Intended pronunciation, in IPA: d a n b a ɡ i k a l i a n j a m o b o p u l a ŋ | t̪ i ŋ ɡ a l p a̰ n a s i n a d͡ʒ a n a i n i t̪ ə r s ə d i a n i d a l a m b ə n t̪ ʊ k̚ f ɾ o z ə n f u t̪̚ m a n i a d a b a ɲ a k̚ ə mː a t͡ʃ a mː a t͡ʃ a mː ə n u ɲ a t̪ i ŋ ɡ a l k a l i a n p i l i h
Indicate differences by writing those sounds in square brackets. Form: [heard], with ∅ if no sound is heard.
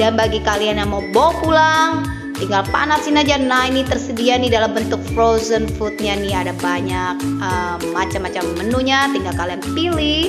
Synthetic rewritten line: d a n b a ɡ i k a l i a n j a m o b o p u l a ŋ | t̪ i ŋ ɡ a l p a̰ n a s i n a d͡ʒ a n a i n i t̪ ə r s ə d i a n i d a l a m b ə n t̪ ʊ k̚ f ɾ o z ə n f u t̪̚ [ɲ] a n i a d a b a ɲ a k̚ ə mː a t͡ʃ a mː a t͡ʃ a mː ə n u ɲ a t̪ i ŋ ɡ a l k a l i a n p i l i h